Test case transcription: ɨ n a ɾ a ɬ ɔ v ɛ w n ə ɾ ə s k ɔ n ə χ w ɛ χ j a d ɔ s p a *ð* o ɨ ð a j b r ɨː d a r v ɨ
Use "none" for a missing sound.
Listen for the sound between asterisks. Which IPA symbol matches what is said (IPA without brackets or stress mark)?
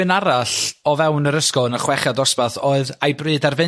θ